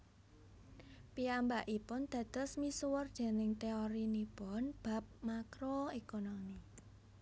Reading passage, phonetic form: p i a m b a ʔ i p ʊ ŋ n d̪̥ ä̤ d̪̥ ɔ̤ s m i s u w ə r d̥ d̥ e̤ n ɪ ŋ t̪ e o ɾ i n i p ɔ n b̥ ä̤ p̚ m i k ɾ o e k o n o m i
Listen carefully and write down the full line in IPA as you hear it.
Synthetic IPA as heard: p i a m b a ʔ i p ʊ n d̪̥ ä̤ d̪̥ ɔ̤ s m i s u w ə r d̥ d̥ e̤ n ɪ ŋ t̪ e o ɾ i n i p ɔ n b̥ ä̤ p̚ m a k ɾ o e k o n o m i